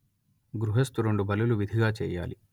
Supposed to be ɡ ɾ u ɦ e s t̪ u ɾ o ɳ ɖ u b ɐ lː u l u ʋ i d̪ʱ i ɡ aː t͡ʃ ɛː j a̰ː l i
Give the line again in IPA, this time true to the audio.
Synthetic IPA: ɡ ɾ u ɦ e s t̪ u ɾ o ɳ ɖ u b ɐ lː u l u ʋ i d̪ʱ i ɡ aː t͡ʃ ɛː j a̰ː l i